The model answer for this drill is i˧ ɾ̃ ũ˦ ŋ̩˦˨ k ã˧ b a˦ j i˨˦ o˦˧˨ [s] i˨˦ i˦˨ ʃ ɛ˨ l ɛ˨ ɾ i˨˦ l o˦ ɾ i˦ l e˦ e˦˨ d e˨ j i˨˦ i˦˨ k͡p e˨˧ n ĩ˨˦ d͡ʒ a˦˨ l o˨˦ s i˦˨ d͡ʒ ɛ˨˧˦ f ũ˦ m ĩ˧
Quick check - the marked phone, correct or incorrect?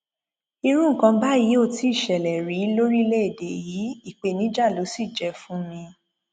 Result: incorrect: t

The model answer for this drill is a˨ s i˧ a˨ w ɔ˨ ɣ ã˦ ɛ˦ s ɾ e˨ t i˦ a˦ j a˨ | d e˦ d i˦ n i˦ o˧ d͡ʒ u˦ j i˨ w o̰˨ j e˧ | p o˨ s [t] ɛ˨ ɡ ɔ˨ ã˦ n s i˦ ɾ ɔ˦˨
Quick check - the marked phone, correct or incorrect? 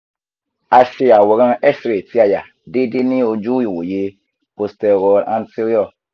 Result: correct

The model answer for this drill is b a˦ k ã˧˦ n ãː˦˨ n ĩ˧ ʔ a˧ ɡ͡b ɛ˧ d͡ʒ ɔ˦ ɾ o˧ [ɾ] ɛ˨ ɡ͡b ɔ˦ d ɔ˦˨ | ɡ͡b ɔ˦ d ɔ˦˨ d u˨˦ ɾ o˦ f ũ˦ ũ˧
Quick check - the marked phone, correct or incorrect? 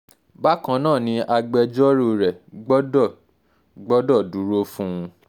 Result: correct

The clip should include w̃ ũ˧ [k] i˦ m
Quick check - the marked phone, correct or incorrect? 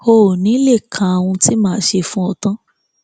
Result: incorrect: t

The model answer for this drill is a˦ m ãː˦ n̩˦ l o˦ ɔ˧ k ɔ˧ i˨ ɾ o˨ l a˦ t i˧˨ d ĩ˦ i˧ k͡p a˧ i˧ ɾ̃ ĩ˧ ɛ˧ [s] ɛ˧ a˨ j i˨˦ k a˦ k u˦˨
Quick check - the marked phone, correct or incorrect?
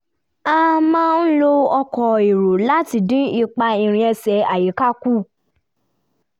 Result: correct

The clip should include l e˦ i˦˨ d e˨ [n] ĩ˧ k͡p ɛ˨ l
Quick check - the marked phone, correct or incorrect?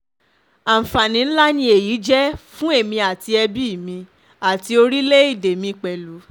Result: incorrect: m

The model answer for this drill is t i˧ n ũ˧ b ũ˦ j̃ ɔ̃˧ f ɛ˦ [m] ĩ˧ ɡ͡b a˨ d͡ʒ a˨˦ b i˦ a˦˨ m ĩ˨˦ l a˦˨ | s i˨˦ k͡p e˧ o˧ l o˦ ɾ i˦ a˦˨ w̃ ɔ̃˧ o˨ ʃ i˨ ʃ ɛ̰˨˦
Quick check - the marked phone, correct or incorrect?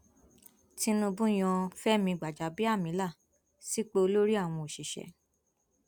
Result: correct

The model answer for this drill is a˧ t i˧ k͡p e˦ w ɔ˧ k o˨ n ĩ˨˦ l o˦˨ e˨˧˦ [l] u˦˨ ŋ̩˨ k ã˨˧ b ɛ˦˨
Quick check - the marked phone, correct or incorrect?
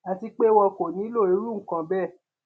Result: incorrect: ɾ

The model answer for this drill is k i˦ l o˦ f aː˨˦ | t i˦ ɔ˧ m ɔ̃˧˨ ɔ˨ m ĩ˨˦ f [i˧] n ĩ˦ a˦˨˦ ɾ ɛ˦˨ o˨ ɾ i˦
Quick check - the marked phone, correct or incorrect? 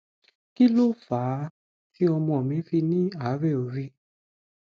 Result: correct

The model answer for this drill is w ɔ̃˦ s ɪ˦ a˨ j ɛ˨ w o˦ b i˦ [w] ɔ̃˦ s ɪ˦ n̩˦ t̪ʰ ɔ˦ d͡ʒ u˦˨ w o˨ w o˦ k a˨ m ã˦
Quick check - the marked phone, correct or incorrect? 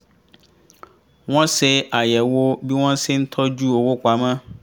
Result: correct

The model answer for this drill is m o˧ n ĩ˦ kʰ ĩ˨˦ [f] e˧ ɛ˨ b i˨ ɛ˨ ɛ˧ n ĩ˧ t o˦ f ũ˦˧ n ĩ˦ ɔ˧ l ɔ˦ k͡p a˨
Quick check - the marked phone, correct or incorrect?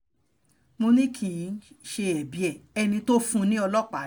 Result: incorrect: ʃ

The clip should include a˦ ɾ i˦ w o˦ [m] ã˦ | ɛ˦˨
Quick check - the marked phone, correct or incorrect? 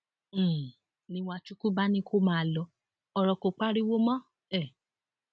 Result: correct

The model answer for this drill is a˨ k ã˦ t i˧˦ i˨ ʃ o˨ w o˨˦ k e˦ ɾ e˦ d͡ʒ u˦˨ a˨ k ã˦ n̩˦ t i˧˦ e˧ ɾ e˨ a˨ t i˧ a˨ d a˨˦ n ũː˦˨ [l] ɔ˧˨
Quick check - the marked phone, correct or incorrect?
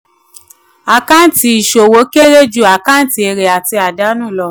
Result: correct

